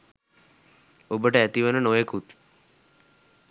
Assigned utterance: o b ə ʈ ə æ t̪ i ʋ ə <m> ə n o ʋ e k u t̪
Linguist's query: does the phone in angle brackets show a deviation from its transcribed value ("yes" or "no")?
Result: yes